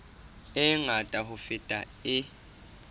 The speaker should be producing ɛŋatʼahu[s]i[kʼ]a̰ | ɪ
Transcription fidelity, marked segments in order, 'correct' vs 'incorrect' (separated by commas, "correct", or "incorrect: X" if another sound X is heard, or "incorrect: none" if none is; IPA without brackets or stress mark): incorrect: f, incorrect: tʼ